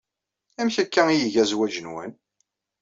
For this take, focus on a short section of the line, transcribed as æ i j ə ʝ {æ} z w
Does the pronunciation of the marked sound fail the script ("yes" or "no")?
no